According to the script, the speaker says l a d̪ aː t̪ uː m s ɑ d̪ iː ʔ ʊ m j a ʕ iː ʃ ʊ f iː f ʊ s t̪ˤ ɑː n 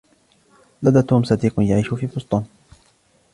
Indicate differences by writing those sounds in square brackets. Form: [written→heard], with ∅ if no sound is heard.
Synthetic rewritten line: l a d̪ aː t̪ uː m s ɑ d̪ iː [ʔ→q] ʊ [m→n] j a ʕ iː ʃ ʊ f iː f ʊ s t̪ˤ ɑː n